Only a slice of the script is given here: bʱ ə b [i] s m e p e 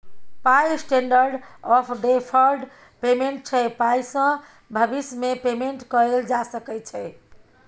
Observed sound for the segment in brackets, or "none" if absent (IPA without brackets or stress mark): i